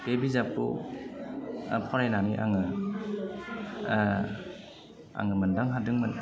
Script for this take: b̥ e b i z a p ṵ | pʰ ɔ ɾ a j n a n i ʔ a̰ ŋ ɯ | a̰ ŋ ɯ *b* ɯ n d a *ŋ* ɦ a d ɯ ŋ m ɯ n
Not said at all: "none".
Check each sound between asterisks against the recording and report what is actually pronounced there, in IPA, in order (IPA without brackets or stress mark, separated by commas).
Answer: m, ŋ